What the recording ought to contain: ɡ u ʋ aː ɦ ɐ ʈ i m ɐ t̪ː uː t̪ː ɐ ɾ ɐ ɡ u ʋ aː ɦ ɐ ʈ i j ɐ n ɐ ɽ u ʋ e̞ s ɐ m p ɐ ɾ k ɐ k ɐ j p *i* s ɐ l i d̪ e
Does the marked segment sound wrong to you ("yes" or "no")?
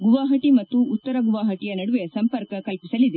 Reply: no